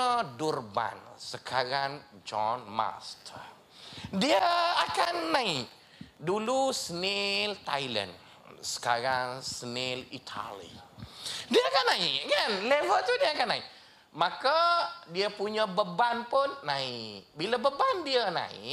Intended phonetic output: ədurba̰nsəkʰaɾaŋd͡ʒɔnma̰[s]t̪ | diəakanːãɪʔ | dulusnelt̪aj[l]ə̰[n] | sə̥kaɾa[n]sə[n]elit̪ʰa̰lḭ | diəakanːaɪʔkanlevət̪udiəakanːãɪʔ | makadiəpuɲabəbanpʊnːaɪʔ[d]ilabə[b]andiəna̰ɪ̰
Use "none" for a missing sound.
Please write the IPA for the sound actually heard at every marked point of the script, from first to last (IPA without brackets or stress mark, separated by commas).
s, l, n, ŋ, n, b, b